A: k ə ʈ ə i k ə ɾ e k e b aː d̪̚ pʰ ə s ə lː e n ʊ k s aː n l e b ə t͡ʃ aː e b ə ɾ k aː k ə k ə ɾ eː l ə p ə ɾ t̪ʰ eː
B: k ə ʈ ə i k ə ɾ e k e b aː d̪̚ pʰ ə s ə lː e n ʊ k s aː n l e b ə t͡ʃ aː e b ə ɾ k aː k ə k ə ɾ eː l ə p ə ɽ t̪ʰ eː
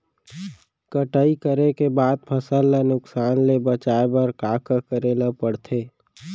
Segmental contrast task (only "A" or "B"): B